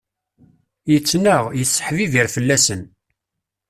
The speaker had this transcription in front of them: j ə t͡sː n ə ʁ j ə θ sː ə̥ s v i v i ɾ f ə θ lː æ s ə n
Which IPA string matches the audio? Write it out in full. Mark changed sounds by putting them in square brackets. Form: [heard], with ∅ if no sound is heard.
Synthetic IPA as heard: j ə t͡sː n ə ʁ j ə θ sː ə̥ [ħ] v i v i ɾ f ə [∅] lː æ s ə n